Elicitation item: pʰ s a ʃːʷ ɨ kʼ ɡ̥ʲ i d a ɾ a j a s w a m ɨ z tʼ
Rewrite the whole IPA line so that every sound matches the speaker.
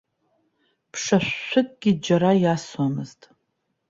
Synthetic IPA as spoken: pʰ ʂ a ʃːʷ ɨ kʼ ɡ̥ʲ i d͡ʒ a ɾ a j a s w a m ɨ z tʼ

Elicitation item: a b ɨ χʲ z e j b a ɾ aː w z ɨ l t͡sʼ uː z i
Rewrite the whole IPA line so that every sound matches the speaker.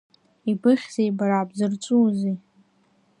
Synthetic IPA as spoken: i b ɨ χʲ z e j b a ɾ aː b z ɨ r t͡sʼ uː z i

